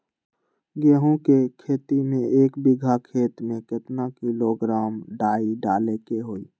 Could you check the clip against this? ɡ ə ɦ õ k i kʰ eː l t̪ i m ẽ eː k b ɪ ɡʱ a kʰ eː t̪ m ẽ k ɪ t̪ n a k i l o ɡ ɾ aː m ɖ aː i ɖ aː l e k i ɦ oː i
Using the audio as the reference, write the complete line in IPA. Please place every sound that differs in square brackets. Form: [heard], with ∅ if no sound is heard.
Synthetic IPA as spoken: ɡ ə ɦ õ k [e] kʰ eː [∅] t̪ i m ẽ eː k b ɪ ɡʱ a kʰ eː t̪ m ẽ k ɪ t̪ n a k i l o ɡ ɾ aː m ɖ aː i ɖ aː l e k [e] ɦ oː i